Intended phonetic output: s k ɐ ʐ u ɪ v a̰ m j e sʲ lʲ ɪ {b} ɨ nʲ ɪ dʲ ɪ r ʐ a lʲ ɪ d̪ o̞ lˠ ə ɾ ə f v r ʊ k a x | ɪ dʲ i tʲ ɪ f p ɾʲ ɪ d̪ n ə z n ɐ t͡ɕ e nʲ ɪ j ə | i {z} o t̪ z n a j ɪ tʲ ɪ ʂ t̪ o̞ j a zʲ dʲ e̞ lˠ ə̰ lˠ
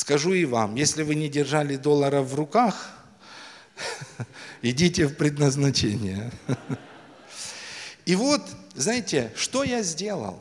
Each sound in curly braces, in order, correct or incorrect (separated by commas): incorrect, incorrect